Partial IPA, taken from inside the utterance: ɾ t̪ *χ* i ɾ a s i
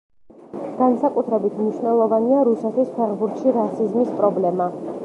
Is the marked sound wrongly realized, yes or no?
yes